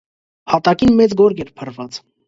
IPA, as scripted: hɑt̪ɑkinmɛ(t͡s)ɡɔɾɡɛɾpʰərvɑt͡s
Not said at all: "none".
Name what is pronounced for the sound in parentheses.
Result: t͡s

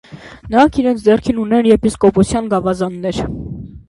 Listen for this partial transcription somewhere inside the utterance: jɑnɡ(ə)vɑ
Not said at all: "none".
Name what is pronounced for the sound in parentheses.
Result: ɑ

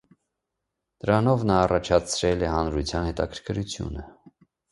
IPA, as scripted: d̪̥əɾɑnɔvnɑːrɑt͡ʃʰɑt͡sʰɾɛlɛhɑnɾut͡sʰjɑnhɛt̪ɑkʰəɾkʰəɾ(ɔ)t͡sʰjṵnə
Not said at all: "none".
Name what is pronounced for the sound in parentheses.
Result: u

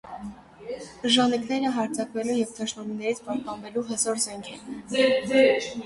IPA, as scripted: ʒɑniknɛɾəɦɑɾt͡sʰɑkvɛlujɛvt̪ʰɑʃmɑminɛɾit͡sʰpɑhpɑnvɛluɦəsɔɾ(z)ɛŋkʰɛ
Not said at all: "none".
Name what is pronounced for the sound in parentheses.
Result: z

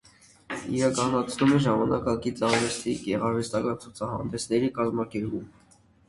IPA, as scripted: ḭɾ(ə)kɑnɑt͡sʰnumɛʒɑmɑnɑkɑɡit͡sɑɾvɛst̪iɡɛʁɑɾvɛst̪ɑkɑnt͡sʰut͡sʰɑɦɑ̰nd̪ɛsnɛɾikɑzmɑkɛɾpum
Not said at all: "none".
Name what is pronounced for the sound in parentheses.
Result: ɑ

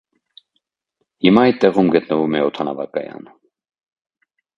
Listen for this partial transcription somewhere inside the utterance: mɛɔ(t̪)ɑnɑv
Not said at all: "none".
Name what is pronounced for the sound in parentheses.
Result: t̪ʰ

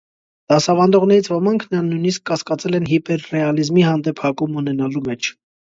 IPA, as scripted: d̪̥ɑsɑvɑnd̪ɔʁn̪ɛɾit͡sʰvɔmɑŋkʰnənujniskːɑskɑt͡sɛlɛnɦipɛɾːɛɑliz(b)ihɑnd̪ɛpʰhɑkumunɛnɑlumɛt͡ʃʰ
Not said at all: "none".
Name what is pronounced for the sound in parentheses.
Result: m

